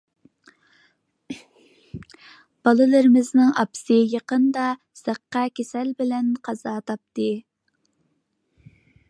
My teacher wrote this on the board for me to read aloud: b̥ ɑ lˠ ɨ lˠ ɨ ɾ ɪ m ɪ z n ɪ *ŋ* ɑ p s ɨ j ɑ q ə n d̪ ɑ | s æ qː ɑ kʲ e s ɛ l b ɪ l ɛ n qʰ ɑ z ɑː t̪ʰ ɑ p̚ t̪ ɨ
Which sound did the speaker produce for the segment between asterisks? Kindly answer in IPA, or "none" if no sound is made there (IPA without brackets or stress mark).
ŋ